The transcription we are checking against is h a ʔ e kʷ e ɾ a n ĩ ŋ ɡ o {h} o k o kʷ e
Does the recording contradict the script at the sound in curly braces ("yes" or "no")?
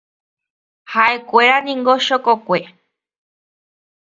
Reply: yes